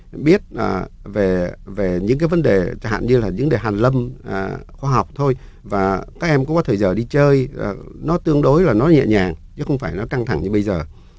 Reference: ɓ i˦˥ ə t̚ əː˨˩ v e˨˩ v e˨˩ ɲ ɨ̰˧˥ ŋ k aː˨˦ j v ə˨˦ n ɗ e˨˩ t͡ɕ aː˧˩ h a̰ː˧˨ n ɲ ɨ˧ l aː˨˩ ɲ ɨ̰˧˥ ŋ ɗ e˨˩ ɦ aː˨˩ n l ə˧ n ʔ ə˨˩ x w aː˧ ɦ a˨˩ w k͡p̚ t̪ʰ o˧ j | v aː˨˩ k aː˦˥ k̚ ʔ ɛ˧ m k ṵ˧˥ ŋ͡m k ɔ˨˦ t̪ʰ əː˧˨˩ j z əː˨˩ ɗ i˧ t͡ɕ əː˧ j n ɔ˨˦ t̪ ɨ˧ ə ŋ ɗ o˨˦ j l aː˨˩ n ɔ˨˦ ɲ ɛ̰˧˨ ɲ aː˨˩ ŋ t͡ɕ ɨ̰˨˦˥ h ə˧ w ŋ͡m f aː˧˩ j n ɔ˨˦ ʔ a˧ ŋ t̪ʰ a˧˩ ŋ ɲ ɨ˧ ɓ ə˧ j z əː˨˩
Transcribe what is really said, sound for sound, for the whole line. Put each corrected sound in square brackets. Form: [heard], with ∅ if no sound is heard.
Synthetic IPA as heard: ɓ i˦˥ ə t̚ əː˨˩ v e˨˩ v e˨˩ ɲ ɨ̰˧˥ ŋ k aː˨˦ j v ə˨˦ n ɗ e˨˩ t͡ɕ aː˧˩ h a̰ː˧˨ n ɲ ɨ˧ l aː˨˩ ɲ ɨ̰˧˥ ŋ ɗ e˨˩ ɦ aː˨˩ n l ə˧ [m] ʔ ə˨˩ x w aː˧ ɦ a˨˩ w k͡p̚ t̪ʰ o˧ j | v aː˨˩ k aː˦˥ k̚ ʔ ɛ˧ m k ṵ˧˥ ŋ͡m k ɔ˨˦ t̪ʰ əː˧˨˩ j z əː˨˩ ɗ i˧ t͡ɕ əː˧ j n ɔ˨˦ t̪ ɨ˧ ə ŋ ɗ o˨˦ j l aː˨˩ n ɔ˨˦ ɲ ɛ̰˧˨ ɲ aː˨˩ ŋ t͡ɕ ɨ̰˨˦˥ [x] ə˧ w ŋ͡m f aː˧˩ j n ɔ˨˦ [k] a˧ ŋ t̪ʰ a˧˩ ŋ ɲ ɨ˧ ɓ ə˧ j z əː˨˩